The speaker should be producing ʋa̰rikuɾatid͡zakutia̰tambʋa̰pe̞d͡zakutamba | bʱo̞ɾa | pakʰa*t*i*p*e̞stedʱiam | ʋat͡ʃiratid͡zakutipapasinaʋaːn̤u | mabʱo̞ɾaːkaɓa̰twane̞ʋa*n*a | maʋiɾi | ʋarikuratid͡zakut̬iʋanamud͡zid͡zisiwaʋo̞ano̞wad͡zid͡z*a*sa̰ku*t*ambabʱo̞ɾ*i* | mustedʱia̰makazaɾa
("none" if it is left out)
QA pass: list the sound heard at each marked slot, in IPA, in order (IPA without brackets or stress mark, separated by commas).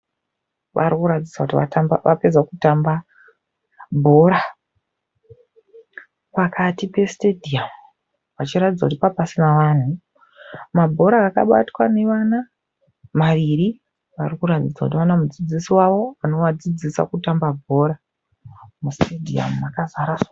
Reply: t, p, n, i, t, a